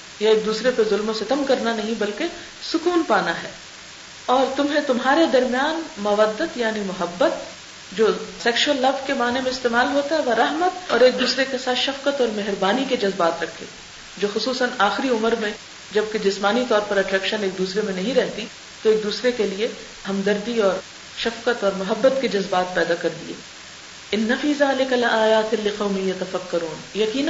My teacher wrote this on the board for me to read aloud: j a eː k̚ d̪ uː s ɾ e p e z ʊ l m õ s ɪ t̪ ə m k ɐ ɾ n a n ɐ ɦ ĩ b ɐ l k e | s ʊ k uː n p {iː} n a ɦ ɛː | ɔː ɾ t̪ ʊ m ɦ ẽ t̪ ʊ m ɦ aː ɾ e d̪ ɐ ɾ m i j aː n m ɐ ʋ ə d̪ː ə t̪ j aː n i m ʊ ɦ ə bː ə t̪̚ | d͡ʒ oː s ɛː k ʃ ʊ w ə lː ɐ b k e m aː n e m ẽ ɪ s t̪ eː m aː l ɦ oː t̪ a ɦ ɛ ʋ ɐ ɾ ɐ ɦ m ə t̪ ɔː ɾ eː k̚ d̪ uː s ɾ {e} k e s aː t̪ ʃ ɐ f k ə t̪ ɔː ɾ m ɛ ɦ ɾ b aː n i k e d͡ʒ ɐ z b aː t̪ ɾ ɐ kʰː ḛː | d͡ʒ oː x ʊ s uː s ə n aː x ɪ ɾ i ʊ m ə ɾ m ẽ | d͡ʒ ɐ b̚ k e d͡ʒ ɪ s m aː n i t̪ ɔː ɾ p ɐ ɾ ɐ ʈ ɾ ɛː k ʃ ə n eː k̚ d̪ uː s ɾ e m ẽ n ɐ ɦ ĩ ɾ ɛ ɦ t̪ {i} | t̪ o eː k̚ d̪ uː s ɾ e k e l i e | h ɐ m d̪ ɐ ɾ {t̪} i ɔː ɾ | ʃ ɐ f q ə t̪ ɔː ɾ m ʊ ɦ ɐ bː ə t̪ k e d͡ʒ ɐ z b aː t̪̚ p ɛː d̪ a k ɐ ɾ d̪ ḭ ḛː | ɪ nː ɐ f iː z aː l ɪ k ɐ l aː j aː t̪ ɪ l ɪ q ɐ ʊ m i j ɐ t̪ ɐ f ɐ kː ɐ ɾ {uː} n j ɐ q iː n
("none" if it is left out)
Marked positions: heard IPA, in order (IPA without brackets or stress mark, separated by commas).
aː, e, i, d̪, uː